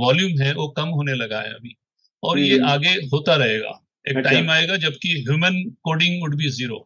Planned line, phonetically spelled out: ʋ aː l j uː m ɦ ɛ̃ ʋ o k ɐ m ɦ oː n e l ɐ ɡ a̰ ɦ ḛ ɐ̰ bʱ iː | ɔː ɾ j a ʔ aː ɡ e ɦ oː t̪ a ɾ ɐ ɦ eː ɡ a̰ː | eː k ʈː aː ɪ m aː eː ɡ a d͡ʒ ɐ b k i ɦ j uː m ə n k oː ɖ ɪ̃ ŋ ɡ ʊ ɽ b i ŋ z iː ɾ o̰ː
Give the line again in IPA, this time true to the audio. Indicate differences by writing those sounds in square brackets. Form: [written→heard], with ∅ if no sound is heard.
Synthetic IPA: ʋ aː l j uː m ɦ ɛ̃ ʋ o k ɐ m ɦ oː n e l ɐ ɡ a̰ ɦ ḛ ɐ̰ bʱ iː | ɔː ɾ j [a→e] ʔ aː ɡ e ɦ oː t̪ a ɾ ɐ ɦ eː ɡ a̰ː | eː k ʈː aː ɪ m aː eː ɡ a d͡ʒ ɐ b k i ɦ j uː m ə n k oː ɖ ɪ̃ ŋ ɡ ʊ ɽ b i [ŋ→∅] z iː ɾ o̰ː